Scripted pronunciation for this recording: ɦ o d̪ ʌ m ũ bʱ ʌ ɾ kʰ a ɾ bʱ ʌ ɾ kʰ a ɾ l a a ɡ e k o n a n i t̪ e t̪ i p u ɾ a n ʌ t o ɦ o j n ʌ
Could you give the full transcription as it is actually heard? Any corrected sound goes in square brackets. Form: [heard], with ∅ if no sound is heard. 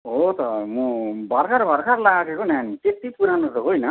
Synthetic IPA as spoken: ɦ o [t̪] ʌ m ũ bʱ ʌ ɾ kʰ a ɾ bʱ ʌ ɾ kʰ a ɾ l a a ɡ e k o n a n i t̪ e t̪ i p u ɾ a n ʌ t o ɦ o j n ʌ